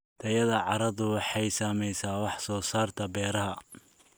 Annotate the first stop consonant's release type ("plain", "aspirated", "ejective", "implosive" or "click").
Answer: aspirated